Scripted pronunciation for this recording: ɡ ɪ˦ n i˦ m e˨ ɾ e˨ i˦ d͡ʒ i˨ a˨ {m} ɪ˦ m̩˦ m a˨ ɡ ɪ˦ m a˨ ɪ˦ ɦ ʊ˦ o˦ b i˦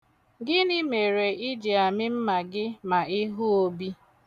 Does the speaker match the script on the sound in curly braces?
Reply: yes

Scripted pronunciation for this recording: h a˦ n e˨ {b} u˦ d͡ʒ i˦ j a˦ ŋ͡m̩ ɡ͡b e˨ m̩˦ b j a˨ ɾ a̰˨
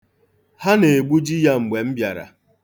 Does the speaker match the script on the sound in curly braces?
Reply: no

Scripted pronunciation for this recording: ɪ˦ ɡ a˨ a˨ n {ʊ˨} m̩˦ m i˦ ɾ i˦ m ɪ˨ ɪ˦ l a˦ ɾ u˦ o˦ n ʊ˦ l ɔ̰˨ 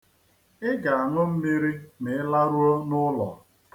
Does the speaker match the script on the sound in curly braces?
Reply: no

